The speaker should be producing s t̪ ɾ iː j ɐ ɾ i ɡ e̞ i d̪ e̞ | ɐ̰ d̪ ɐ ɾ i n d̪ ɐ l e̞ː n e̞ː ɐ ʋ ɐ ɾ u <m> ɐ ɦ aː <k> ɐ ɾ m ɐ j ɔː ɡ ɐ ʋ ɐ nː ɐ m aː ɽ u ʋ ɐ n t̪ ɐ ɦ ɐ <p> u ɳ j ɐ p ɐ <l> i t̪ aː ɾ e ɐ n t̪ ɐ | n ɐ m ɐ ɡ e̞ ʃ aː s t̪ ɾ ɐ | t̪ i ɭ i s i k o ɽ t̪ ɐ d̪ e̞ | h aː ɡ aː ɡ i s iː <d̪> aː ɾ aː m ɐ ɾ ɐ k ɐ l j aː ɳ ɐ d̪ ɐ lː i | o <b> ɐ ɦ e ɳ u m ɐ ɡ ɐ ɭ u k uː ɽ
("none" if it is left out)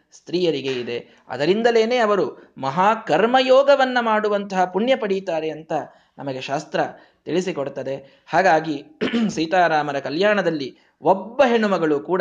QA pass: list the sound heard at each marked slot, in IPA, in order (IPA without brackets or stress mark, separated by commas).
m, k, p, ɽ, t̪, bː